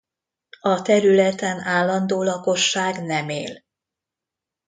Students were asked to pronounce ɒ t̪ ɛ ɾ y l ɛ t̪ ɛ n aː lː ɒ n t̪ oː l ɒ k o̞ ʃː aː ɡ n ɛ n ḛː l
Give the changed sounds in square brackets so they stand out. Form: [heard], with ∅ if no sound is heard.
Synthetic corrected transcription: ɒ t̪ ɛ ɾ y l ɛ t̪ ɛ n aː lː ɒ n [d̪] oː l ɒ k o̞ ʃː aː ɡ n ɛ [m] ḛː l

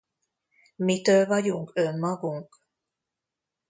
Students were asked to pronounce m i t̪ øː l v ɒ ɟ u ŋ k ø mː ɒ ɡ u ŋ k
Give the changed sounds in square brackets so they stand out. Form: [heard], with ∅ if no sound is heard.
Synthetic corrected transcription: m i t̪ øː l v ɒ ɟ u ŋ k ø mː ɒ ɡ u ŋ k

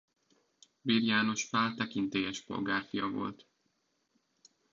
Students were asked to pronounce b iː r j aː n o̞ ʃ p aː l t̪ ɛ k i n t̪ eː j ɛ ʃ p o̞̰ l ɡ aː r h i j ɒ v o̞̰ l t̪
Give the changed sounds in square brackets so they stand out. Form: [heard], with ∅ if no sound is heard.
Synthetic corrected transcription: b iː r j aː n o̞ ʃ p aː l t̪ ɛ k i n t̪ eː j ɛ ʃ p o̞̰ l ɡ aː r [f] i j ɒ v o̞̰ l t̪

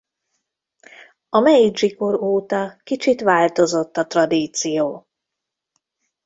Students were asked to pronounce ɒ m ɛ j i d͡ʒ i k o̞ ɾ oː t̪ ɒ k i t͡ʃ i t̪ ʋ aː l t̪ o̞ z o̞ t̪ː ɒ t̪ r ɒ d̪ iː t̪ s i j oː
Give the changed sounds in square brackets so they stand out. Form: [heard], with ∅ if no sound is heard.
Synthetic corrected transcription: ɒ m ɛ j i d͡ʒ i k o̞ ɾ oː t̪ ɒ k i t͡ʃ i t̪ ʋ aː l t̪ o̞ z o̞ t̪ː ɒ t̪ r ɒ d̪ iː t̪ s i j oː

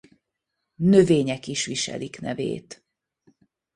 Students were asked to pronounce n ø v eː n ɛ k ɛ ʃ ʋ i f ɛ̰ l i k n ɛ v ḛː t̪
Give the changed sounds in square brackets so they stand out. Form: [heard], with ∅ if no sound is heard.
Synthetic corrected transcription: n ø v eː [ɲ] ɛ k [i] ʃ ʋ i [ʃ] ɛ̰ l i k n ɛ v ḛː t̪

